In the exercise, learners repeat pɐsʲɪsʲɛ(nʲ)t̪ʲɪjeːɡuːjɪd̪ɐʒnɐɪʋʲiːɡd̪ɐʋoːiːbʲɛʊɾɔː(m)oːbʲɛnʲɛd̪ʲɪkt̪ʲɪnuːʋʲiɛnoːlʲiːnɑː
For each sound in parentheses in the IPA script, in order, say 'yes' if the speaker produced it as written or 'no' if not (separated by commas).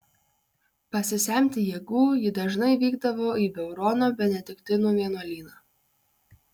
no, no